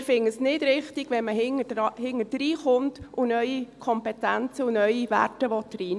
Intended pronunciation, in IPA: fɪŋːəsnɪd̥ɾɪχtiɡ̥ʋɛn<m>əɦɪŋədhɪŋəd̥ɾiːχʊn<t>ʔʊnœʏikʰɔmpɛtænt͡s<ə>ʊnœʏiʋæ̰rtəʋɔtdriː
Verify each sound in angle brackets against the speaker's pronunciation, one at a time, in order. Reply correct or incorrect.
correct, correct, correct

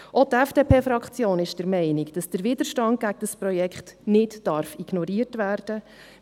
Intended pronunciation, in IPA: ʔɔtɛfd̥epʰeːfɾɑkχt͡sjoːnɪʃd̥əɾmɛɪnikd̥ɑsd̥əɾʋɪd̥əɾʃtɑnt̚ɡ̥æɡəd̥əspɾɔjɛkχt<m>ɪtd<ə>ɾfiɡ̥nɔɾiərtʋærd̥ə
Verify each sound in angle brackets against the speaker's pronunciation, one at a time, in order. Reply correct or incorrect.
incorrect: n, incorrect: ɑ

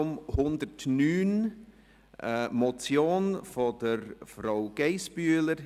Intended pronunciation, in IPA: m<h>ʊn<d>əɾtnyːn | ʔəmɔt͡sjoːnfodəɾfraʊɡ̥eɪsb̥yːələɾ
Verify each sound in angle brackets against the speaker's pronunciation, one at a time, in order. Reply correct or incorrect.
correct, correct

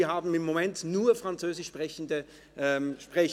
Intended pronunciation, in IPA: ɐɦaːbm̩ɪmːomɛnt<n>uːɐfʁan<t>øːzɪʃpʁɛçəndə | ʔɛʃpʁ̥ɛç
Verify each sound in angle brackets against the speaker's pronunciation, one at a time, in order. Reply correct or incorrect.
correct, incorrect: t͡s

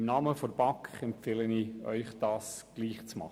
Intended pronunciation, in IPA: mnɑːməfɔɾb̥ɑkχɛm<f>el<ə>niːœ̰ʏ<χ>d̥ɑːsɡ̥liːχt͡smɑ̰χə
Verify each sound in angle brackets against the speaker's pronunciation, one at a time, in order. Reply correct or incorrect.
correct, correct, correct

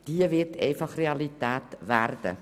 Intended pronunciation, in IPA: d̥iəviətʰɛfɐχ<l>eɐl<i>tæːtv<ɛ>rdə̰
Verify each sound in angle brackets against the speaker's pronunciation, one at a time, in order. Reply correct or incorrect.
incorrect: r, correct, incorrect: æ

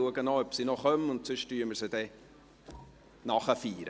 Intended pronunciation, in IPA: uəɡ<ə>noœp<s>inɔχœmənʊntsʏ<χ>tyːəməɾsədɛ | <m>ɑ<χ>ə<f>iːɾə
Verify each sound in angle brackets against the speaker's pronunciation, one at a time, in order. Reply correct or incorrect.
correct, correct, incorrect: ʃ, incorrect: n, correct, correct

